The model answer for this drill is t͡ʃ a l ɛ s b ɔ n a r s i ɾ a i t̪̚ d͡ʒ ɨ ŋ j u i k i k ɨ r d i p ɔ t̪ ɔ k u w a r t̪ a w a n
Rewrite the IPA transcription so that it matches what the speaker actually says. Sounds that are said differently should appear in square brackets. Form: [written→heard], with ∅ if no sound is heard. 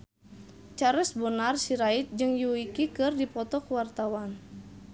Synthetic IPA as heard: t͡ʃ a [l→ɾ] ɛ s b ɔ n a r s i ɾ a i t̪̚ d͡ʒ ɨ ŋ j u i k i k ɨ r d i p ɔ t̪ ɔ k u w a r t̪ a w a n